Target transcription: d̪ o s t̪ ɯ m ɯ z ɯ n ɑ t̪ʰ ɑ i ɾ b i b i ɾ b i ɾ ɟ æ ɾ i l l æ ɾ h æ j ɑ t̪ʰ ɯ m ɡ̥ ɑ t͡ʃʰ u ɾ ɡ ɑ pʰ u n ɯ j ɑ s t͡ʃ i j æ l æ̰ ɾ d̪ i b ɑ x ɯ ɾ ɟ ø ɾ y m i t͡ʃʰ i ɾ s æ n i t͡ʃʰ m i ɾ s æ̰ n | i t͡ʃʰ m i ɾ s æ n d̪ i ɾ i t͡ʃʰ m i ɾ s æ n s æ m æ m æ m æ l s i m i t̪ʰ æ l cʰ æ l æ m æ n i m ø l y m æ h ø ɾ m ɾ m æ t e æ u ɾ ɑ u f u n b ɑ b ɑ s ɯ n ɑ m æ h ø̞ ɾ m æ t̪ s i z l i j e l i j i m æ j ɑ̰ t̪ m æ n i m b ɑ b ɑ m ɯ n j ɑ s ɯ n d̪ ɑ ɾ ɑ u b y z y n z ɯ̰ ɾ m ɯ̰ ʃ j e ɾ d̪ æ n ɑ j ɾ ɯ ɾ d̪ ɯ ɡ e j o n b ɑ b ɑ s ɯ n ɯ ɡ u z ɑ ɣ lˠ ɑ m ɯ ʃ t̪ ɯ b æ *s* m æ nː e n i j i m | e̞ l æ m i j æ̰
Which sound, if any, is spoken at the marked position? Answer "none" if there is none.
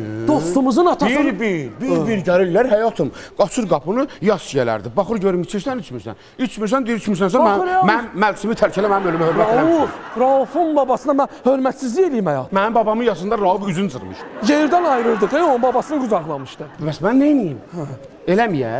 s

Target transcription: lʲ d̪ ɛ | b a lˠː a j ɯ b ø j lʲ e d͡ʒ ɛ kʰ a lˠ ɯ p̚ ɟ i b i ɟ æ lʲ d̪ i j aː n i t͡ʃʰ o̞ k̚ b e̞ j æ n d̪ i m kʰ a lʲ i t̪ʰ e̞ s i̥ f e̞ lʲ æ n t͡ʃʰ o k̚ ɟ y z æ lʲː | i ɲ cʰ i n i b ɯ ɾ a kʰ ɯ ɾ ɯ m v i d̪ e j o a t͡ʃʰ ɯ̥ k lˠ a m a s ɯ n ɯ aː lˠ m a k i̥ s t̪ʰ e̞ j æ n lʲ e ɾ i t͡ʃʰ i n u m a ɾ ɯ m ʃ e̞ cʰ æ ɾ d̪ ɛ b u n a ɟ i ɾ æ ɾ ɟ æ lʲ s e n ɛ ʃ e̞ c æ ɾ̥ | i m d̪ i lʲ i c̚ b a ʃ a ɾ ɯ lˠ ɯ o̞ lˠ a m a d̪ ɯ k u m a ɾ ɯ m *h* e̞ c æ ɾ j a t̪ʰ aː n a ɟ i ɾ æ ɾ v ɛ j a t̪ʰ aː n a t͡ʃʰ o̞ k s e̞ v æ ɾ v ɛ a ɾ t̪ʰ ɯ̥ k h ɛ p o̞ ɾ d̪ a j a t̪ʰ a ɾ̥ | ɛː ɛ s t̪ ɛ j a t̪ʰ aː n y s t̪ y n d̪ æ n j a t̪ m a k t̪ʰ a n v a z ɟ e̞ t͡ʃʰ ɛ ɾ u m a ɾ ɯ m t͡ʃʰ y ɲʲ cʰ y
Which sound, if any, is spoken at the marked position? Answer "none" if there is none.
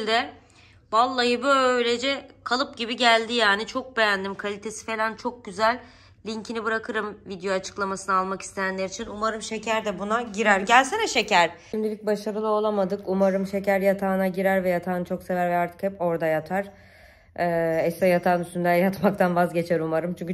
ʃ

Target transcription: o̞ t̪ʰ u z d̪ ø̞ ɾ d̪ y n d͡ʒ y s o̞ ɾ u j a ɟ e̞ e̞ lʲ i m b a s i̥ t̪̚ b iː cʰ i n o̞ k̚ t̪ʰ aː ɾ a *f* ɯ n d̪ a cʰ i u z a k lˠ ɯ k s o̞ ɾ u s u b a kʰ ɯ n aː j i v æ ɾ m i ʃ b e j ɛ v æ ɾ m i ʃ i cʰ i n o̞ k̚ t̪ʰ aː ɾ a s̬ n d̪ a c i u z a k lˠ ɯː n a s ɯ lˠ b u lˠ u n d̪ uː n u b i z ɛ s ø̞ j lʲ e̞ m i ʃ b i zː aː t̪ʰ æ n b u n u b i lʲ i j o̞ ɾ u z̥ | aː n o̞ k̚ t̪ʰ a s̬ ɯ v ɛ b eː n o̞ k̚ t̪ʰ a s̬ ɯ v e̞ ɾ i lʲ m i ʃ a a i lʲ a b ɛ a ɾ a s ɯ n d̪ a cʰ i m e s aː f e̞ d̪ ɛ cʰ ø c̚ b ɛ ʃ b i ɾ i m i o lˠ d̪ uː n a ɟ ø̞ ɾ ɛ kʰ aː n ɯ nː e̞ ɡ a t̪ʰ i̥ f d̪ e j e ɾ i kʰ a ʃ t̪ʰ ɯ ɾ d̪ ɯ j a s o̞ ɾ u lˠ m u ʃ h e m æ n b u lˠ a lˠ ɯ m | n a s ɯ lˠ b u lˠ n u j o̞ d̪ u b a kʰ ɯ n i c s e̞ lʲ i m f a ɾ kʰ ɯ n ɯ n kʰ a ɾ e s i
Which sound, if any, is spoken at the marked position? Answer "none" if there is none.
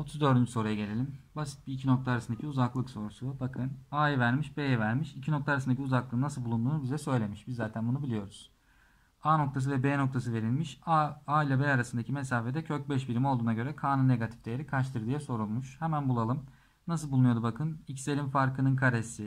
s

